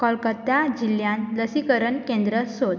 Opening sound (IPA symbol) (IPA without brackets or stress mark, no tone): k